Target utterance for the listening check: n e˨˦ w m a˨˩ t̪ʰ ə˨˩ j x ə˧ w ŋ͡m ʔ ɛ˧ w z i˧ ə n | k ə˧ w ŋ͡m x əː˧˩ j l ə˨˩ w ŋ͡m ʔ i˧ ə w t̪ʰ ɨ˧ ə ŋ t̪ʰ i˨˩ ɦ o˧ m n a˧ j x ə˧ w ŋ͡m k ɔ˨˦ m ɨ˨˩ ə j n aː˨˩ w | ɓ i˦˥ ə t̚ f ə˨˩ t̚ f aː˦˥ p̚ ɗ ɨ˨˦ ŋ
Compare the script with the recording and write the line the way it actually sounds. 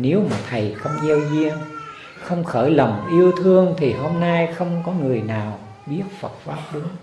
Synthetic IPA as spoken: n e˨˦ w m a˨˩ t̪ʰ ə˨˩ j x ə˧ w ŋ͡m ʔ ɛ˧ w z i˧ ə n | x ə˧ w ŋ͡m x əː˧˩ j l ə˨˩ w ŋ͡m ʔ i˧ ə w t̪ʰ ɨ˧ ə ŋ t̪ʰ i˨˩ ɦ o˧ m n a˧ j x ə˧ w ŋ͡m k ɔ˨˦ ŋ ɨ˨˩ ə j n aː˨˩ w | ɓ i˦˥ ə t̚ f ə˨˩ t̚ f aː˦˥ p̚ ɗ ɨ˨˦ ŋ

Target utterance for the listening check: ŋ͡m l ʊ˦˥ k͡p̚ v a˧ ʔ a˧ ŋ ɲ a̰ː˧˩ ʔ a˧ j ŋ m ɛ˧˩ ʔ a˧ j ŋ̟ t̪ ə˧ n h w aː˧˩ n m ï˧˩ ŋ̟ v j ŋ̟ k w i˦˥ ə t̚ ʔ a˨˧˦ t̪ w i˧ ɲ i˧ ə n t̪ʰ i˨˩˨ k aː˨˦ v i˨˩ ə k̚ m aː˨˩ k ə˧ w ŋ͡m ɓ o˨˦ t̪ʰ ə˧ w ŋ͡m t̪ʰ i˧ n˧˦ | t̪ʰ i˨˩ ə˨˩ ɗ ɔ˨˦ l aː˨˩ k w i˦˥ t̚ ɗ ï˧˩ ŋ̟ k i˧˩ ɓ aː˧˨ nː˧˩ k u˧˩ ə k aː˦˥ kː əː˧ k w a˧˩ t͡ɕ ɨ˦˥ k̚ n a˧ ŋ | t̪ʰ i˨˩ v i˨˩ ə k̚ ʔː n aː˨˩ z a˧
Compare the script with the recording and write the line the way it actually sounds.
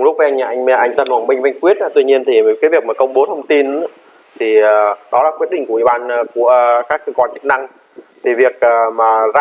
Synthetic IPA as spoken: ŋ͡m l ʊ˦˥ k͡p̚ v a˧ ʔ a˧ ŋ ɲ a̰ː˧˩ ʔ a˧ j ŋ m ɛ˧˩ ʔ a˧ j ŋ̟ t̪ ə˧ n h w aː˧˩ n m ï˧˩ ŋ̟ v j ŋ̟ k w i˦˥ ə t̚ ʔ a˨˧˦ t̪ w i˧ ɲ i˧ ə n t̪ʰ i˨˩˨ k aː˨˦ v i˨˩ ə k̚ m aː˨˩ k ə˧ w ŋ͡m ɓ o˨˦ t̪ʰ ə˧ w ŋ͡m t̪ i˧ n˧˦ | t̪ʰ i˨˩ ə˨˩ ɗ ɔ˨˦ l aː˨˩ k w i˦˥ t̚ ɗ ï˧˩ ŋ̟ k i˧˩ ɓ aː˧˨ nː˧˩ k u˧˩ ə k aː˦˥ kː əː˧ k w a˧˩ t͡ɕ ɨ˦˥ k̚ n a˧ ŋ | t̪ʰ i˨˩ v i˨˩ ə k̚ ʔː m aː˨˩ z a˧

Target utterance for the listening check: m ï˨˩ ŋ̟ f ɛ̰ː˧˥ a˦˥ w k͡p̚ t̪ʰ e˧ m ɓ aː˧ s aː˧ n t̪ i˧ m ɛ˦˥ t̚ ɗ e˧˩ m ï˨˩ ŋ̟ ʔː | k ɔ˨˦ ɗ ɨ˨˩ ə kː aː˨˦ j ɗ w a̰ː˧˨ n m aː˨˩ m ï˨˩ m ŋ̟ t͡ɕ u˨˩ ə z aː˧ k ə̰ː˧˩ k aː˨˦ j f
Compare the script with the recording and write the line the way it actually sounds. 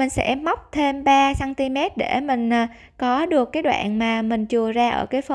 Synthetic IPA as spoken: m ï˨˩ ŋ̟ s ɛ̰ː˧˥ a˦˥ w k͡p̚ t̪ʰ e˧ m ɓ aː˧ s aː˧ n t̪ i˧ m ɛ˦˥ t̚ ɗ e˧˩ m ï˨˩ ŋ̟ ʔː | k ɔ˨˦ ɗ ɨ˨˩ ə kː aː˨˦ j ɗ w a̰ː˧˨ n m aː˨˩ m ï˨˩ ŋ̟ t͡ɕ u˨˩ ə z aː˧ ʔ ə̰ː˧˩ k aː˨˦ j f

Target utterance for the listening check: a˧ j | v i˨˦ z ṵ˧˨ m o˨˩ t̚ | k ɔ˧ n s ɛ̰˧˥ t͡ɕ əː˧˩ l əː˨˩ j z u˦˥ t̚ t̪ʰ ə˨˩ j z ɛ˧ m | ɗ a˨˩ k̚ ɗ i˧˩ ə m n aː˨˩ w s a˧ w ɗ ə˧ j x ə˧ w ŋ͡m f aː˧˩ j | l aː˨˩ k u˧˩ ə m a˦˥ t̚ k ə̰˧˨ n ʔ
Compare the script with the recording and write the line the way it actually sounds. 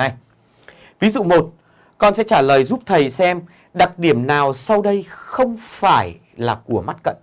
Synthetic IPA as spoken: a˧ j | v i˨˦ z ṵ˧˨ m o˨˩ t̚ | k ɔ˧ n s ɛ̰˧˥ t͡ɕ aː˧˩ l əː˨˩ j z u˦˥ p̚ t̪ʰ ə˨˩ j s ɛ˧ m | ɗ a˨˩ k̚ ɗ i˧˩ ə m n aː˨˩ w s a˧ w ɗ ə˧ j x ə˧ w ŋ͡m f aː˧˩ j | l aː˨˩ k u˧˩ ə m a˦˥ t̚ k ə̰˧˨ n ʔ

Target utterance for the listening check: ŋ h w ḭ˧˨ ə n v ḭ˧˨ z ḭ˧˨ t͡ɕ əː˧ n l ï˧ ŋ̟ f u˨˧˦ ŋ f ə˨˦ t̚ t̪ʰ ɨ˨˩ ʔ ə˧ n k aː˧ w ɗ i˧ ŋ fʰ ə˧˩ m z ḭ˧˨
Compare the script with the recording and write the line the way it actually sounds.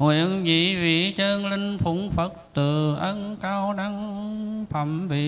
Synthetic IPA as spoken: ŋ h w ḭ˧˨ ə n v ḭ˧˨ v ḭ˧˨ t͡ɕ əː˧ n l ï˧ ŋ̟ f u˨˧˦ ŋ f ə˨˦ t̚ t̪ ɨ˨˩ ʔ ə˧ n k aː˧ w ɗ a˧ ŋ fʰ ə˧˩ m v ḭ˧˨

